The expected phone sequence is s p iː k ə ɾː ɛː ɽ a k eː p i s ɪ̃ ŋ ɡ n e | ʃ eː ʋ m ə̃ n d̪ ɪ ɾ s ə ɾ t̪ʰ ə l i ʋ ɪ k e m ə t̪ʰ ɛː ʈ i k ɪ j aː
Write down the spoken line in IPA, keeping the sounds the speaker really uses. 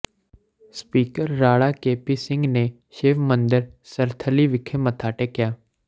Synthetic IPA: s p iː k ə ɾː aː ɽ a k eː p i s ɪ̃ ŋ ɡ n e | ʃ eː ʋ m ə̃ n d̪ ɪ ɾ s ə ɾ t̪ʰ ə l i ʋ ɪ kʰ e m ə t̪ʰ aː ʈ e k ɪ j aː